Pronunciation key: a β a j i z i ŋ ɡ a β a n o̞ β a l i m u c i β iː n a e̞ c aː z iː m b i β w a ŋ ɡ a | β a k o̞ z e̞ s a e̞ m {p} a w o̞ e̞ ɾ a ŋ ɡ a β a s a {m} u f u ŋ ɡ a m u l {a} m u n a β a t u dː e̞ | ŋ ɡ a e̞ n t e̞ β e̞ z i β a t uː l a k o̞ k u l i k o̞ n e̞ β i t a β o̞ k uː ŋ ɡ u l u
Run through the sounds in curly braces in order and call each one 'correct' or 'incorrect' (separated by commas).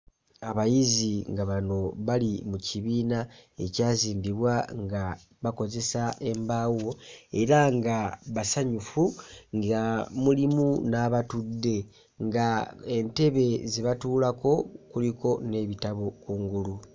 incorrect, incorrect, incorrect